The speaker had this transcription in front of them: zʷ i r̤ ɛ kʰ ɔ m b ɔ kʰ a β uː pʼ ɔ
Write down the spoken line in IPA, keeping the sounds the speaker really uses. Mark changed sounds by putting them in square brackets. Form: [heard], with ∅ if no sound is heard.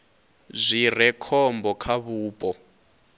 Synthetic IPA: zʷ i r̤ ɛ kʰ ɔ m b ɔ kʰ a β uː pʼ ɔ